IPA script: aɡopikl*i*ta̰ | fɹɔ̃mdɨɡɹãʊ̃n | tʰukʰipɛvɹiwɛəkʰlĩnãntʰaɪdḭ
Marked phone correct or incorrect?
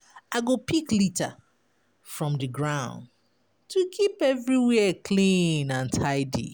correct